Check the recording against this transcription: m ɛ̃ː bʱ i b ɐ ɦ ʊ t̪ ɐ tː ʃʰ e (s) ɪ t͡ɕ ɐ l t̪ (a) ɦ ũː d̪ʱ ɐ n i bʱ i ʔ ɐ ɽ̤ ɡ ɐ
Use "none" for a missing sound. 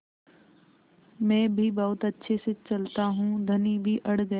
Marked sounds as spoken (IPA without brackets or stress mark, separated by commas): s, a